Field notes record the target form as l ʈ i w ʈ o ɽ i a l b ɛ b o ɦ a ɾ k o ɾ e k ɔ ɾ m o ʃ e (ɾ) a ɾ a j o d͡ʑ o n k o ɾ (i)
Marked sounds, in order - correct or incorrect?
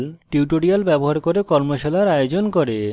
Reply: incorrect, incorrect

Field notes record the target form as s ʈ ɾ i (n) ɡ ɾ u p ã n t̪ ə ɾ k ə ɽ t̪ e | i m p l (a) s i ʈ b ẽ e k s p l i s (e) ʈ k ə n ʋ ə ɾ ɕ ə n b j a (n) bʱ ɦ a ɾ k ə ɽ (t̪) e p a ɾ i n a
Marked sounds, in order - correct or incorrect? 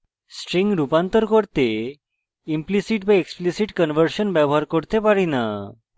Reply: incorrect, incorrect, incorrect, incorrect, correct

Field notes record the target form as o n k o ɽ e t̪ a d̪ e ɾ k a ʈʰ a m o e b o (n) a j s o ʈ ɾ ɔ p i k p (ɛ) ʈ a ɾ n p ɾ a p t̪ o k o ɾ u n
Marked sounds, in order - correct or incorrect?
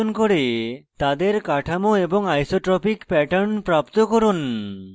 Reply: incorrect, correct

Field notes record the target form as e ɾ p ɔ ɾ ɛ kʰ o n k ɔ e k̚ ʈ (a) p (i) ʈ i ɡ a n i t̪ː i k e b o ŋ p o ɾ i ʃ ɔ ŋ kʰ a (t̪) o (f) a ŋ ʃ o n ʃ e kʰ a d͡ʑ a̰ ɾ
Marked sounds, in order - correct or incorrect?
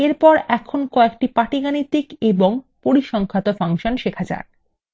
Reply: incorrect, incorrect, correct, correct

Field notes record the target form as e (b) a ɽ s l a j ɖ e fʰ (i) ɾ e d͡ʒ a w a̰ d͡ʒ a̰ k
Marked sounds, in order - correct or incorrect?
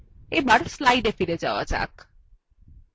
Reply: correct, correct

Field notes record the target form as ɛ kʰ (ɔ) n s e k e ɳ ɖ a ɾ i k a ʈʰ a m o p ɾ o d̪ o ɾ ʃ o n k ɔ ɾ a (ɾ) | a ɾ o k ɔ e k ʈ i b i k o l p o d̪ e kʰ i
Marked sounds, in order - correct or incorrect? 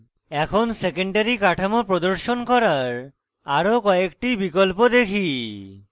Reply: incorrect, correct

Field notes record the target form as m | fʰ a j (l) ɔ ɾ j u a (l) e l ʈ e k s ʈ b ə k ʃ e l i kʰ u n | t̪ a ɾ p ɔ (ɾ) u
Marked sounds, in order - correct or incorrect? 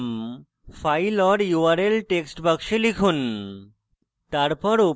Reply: correct, incorrect, correct

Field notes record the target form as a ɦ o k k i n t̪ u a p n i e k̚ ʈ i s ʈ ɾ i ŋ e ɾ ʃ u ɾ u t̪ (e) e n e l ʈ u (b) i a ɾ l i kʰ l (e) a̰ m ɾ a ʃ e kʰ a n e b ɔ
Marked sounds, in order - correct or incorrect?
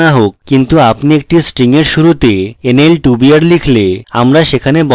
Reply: correct, correct, correct

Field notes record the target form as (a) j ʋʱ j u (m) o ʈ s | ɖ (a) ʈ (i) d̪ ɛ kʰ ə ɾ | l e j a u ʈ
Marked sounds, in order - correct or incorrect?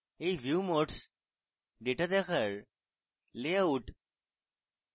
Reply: incorrect, correct, incorrect, incorrect

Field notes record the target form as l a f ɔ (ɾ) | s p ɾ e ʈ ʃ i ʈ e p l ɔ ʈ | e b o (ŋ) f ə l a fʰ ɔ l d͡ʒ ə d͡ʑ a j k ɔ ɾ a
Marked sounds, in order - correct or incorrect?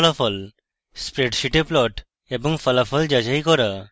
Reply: incorrect, correct

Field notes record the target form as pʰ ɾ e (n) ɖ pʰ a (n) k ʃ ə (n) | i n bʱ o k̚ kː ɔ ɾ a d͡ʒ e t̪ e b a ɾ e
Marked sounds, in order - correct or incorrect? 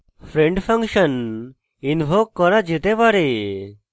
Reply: incorrect, incorrect, correct

